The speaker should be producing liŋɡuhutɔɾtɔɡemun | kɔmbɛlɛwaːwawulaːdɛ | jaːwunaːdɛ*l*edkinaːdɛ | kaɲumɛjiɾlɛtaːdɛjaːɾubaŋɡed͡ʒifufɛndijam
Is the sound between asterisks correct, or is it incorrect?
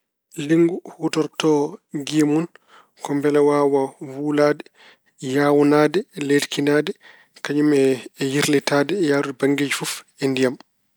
correct